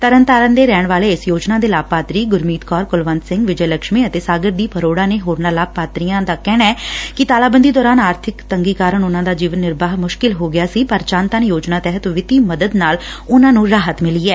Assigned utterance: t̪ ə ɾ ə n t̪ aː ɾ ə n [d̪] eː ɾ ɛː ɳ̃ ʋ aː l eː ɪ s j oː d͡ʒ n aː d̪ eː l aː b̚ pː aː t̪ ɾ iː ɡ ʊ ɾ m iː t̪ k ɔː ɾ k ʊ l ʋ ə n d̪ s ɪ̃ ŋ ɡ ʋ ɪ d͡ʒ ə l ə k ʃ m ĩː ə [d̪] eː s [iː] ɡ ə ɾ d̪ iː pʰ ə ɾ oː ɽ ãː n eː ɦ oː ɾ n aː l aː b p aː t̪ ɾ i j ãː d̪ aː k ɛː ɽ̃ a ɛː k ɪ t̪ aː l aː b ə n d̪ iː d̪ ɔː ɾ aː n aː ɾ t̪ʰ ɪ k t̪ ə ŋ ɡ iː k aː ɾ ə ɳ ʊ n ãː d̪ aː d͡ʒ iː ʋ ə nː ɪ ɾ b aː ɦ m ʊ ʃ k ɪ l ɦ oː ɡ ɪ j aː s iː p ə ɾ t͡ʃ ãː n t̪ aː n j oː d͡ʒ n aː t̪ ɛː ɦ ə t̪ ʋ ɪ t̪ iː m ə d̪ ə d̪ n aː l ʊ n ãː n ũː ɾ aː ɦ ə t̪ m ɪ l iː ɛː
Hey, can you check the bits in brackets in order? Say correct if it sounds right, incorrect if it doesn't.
correct, incorrect: t̪, incorrect: aː

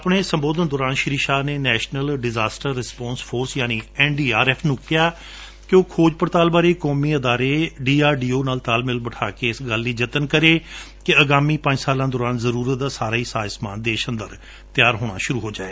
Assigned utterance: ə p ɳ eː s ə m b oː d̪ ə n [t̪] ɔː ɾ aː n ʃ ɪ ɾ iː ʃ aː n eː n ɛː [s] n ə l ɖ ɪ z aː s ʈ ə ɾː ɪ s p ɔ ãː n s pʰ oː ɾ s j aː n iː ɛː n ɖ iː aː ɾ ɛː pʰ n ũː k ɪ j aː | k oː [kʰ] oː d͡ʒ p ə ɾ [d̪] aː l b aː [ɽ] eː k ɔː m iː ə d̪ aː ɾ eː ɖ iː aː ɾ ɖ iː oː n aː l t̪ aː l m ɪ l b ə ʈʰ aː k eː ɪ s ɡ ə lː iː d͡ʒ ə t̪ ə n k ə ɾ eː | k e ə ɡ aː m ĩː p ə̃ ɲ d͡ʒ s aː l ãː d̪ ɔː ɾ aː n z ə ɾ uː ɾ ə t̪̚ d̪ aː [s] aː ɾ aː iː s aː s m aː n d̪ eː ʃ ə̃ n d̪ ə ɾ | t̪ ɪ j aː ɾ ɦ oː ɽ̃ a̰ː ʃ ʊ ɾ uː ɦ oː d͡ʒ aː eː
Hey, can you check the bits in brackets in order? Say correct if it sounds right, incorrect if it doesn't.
incorrect: d̪, incorrect: ʃ, correct, incorrect: t̪, incorrect: ɾ, correct

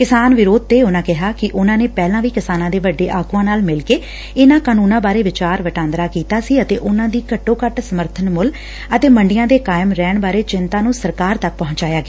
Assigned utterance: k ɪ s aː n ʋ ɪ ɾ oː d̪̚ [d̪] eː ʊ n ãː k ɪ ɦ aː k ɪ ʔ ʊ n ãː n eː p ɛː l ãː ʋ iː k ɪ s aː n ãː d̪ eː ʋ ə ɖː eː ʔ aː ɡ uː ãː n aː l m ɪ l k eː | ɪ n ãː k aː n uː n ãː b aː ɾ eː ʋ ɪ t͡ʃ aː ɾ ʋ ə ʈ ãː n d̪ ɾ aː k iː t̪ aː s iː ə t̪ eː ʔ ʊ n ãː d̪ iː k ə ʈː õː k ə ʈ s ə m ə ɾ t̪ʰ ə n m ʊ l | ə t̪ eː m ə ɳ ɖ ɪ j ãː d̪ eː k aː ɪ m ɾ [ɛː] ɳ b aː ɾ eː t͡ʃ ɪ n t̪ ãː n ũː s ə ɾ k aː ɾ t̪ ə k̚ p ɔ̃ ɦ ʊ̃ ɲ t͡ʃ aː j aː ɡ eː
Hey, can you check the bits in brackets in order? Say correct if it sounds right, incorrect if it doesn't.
incorrect: t̪, correct

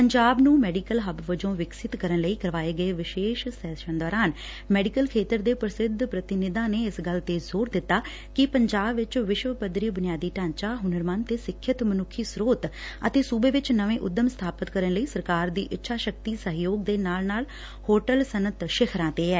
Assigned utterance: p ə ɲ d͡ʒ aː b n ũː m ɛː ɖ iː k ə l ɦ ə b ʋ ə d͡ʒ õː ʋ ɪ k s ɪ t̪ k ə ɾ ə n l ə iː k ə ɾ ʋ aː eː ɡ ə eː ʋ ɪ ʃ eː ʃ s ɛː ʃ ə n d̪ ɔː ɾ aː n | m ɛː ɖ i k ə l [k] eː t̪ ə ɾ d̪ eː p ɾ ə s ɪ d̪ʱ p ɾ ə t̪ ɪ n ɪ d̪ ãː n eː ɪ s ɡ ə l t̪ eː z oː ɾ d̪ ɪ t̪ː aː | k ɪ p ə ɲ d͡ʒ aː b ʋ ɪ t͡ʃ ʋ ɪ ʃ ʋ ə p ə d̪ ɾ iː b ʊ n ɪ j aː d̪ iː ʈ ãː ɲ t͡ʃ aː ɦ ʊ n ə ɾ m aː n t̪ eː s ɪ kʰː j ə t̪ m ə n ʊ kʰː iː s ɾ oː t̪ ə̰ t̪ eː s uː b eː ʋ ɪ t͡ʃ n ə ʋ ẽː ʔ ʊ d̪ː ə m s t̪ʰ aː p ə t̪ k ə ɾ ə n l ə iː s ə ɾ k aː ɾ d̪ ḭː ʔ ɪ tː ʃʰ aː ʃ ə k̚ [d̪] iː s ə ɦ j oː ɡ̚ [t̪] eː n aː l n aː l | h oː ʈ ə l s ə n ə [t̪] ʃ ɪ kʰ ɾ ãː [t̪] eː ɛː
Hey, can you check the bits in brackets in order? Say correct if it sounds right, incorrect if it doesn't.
incorrect: kʰ, incorrect: t̪, incorrect: d̪, correct, correct

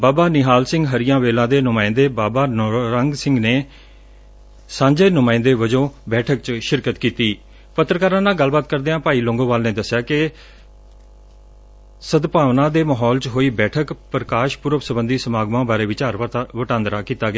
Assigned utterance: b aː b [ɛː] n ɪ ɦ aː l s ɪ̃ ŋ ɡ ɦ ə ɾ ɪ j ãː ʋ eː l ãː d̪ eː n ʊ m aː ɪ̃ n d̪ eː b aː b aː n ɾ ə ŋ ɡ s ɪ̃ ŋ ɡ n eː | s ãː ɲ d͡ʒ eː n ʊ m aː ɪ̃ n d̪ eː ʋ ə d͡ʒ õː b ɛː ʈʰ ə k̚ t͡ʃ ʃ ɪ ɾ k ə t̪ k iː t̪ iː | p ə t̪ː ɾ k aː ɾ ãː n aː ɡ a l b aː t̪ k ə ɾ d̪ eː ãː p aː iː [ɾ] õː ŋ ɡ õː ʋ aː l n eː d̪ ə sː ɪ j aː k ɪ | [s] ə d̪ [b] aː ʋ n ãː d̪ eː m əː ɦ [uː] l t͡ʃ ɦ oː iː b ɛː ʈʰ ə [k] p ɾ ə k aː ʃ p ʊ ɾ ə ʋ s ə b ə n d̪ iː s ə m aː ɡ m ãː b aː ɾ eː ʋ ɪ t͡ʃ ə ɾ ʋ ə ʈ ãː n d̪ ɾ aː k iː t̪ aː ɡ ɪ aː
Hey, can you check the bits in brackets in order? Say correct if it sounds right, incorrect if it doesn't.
incorrect: aː, incorrect: l, correct, incorrect: p, incorrect: ɔː, correct

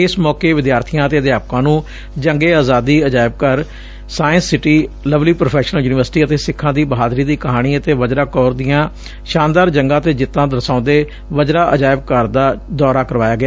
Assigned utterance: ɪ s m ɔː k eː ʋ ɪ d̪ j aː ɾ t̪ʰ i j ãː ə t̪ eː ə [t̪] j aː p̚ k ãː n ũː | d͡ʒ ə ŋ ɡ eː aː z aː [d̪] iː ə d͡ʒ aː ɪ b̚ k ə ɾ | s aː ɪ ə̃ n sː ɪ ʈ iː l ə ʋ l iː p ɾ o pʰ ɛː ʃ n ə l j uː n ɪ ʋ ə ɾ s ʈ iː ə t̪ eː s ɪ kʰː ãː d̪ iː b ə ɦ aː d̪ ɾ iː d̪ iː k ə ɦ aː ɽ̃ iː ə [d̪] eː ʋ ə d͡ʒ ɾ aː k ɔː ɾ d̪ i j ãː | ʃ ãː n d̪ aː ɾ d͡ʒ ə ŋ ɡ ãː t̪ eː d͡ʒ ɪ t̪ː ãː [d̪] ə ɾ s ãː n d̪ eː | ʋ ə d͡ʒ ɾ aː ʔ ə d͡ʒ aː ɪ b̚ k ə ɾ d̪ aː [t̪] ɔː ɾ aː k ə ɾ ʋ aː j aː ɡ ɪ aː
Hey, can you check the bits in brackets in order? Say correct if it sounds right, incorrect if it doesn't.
incorrect: d̪, correct, incorrect: t̪, correct, incorrect: d̪

